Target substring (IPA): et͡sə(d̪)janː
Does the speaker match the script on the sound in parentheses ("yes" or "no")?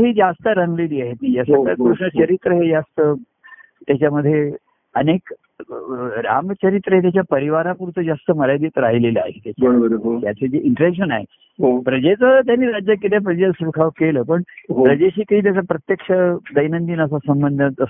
no